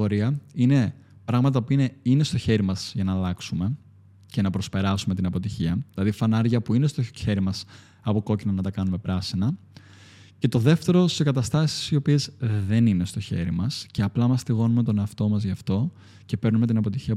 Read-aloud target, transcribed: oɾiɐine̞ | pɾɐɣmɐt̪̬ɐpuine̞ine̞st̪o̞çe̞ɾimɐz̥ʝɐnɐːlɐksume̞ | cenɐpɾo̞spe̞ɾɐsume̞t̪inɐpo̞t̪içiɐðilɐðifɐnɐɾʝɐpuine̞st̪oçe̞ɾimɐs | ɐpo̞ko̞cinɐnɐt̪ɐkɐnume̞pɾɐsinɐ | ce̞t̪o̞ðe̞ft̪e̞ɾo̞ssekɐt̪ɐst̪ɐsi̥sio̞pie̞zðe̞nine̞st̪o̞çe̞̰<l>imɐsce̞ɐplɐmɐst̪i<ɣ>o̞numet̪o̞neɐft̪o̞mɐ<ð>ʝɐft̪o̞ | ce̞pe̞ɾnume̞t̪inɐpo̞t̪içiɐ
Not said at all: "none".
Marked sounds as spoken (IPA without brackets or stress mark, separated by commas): ɾ, ɣ, z